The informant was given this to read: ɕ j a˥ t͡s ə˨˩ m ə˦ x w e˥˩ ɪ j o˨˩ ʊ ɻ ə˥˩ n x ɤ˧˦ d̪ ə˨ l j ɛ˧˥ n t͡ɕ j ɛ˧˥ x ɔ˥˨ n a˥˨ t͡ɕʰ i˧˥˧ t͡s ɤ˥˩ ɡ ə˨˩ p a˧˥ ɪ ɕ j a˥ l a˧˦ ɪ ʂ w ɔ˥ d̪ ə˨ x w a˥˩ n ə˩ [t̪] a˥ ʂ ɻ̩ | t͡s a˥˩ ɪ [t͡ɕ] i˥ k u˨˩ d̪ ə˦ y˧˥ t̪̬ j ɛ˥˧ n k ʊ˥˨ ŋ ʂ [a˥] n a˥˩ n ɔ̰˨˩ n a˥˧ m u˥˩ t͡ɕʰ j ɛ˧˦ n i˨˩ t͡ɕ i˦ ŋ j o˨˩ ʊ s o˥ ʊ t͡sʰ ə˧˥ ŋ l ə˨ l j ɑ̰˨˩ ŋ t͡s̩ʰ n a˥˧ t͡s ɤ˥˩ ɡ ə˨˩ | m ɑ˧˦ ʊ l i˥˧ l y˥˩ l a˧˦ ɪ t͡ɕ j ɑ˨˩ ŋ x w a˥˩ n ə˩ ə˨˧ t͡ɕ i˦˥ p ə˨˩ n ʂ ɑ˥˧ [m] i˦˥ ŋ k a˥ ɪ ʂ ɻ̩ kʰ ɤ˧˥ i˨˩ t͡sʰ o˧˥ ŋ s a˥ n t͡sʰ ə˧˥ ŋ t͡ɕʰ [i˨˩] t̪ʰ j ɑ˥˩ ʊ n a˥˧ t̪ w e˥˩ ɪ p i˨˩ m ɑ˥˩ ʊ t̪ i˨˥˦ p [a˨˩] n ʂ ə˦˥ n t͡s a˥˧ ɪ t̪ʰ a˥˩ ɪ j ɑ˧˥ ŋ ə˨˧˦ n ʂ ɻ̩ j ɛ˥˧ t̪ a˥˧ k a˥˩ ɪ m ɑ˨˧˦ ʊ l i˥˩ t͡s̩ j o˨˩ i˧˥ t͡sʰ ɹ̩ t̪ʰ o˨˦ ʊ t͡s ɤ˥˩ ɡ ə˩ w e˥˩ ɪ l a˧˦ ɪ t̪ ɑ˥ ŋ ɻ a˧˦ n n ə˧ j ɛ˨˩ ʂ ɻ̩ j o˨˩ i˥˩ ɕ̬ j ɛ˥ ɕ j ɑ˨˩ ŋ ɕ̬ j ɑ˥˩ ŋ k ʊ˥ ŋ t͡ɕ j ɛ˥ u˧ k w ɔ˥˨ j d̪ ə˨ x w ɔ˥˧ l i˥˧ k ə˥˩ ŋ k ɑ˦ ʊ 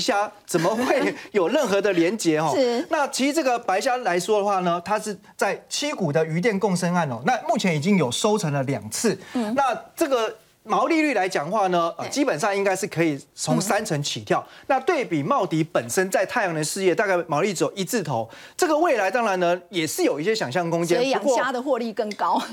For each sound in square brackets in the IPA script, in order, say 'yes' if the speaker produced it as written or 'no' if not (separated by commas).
no, no, no, no, yes, no